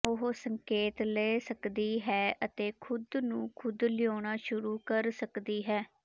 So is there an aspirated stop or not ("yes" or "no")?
yes